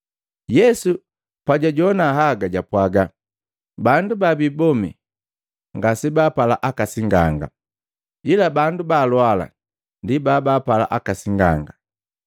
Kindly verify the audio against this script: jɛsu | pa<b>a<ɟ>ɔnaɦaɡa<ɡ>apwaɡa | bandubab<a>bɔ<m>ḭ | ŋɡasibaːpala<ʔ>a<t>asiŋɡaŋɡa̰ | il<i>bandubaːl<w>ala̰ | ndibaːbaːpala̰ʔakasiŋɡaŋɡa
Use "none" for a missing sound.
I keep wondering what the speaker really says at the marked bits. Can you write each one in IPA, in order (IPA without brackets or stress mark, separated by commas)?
ɟ, ɟ, ɟ, i, m, ʔ, k, a, w